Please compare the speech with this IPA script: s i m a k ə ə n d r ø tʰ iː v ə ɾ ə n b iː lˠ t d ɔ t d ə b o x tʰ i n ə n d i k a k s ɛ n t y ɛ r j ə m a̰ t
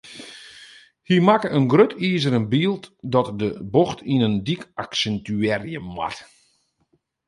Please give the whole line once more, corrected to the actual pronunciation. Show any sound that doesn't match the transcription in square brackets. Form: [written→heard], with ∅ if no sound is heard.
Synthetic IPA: [s→h] i m a k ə ə n [d→ɡ] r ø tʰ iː [v→z] ə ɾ ə n b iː lˠ t d ɔ t d ə b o x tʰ i n ə n d i k a k s ɛ n t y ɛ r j ə m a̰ t